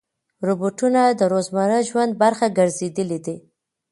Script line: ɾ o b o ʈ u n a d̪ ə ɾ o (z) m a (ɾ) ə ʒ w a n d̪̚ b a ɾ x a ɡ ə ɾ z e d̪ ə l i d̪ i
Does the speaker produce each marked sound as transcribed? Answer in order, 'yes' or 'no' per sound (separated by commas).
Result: yes, yes